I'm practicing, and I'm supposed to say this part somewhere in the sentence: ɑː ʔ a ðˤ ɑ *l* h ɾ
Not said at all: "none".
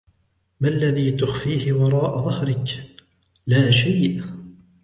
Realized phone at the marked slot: none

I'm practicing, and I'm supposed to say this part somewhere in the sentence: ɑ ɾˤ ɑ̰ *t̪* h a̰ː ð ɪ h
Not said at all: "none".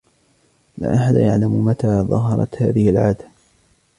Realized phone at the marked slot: t̪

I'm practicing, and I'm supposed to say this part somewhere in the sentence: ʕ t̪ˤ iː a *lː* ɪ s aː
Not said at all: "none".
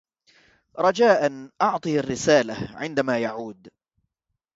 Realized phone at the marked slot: rː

